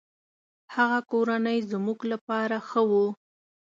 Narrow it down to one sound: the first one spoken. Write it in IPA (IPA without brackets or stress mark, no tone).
h